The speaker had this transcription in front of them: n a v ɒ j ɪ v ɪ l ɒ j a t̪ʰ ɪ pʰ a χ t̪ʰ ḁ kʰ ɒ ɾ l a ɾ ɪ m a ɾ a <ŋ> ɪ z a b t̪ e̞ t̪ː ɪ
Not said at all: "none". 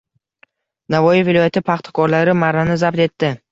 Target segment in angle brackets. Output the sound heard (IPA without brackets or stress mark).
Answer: n